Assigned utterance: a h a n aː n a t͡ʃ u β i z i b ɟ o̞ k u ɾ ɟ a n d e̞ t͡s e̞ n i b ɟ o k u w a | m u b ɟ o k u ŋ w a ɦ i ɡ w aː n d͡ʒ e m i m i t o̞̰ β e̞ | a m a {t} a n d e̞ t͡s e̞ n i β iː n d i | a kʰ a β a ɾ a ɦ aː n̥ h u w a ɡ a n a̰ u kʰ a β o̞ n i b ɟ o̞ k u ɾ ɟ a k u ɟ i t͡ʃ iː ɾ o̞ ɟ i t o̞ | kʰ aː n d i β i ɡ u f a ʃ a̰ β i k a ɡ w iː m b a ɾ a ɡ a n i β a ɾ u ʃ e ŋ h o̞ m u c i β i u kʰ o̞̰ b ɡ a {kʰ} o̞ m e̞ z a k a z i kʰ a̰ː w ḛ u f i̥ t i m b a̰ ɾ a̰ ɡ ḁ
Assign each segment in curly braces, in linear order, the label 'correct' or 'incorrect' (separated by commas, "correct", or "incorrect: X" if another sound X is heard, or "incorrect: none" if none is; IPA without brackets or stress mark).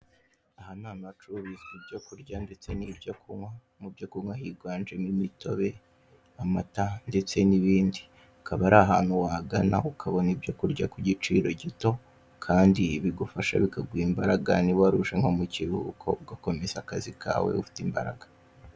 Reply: correct, incorrect: k